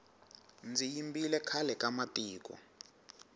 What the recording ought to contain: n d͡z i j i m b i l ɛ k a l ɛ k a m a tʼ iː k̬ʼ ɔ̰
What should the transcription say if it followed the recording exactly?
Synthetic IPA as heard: n d͡z i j i m b i l ɛ kʰ a l ɛ k a m a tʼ iː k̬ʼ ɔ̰